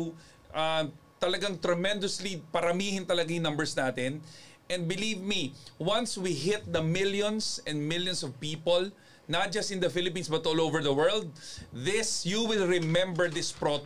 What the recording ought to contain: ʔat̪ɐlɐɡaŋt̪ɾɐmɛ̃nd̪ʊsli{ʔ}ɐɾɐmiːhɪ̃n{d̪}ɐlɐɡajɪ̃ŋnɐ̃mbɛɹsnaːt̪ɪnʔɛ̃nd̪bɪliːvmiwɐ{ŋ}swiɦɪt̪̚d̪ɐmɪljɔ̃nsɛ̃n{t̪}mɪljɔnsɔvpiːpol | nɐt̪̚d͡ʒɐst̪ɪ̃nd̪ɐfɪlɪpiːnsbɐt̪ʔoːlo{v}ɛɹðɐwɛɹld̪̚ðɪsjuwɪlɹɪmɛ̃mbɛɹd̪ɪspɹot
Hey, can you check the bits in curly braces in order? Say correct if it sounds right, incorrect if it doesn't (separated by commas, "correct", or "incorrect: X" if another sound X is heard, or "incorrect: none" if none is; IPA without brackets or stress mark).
incorrect: p, incorrect: t̪, incorrect: n, incorrect: d̪, correct